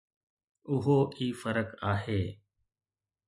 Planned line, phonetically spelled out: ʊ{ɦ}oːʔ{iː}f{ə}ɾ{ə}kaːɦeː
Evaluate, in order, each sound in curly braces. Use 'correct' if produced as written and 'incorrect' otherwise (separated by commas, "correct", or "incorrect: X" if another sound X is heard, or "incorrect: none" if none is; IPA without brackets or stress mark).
correct, correct, correct, correct